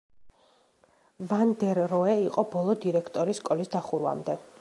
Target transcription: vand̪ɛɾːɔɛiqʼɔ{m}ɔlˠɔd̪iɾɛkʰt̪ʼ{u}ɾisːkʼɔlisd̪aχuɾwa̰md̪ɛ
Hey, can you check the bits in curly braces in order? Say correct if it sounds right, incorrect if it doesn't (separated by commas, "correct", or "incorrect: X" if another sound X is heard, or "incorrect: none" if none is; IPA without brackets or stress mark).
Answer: incorrect: b, incorrect: ɔ